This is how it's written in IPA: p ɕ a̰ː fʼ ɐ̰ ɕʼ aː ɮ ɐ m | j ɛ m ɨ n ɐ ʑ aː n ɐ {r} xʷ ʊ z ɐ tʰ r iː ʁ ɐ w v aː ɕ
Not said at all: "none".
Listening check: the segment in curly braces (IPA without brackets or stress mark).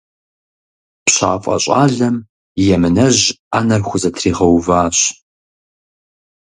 r